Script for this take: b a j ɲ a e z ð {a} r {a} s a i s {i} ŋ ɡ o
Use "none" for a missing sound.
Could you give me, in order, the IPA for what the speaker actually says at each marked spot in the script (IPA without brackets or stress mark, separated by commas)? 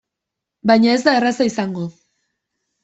a, a, a